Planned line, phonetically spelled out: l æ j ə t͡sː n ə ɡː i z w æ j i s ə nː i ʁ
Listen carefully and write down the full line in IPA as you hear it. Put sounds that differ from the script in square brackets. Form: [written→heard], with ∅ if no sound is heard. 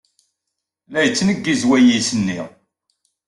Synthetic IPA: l æ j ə t͡sː n ə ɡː i z w æ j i s ə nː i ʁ